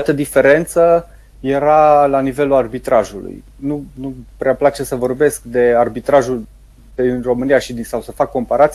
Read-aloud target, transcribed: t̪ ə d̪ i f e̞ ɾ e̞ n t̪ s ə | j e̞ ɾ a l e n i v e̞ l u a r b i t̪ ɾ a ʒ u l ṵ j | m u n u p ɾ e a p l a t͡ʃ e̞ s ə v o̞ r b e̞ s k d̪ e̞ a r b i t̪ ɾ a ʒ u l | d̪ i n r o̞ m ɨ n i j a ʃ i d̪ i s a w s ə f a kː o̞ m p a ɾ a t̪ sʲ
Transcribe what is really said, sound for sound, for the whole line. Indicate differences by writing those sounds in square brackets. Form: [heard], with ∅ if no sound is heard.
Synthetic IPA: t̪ ə d̪ i f e̞ ɾ e̞ n t̪ s ə | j e̞ ɾ a l [a] n i v e̞ l u a r b i t̪ ɾ a ʒ u l ṵ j | [n] u n u p ɾ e a p l a t͡ʃ e̞ s ə v o̞ r b e̞ s k d̪ e̞ a r b i t̪ ɾ a ʒ u l | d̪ i n r o̞ m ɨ n i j a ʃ i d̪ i s a w s ə f a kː o̞ m p a ɾ a t̪ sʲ